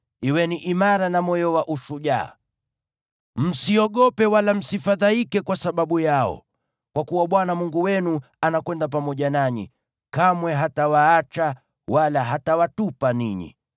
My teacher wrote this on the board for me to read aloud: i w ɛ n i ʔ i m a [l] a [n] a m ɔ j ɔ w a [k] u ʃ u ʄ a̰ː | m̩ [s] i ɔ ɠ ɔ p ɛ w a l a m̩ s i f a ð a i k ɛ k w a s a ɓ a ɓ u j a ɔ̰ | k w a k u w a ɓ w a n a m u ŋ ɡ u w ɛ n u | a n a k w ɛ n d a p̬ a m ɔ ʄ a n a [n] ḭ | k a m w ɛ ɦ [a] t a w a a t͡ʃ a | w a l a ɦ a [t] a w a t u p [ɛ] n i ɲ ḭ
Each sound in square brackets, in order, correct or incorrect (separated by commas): incorrect, correct, incorrect, correct, incorrect, correct, correct, incorrect